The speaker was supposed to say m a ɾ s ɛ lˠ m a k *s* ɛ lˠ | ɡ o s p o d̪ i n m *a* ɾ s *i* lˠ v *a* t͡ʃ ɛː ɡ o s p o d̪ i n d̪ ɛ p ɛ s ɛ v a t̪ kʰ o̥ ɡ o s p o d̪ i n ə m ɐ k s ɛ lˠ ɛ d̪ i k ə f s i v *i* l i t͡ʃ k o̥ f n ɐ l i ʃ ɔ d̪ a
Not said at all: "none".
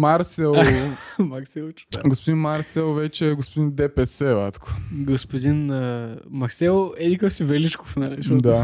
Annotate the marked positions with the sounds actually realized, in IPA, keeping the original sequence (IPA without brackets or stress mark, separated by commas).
s, a, ɛ, ɛ, ɛ